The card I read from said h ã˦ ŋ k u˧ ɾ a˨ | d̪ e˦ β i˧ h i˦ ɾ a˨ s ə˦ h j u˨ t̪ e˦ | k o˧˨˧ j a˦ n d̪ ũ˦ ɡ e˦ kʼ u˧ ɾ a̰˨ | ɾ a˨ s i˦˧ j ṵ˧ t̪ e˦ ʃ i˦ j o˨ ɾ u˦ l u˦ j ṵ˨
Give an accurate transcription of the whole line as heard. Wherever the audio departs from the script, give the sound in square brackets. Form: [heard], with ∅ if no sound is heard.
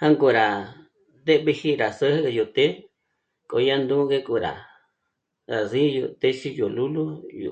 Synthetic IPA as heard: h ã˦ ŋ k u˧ ɾ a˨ | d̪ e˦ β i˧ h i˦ ɾ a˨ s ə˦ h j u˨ t̪ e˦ | k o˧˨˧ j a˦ n d̪ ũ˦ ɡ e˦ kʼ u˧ ɾ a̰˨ | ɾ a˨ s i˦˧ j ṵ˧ t̪ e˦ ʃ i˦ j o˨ [l] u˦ l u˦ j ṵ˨